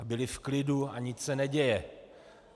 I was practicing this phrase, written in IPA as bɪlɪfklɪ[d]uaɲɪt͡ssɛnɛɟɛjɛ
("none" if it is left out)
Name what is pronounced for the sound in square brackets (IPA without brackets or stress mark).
d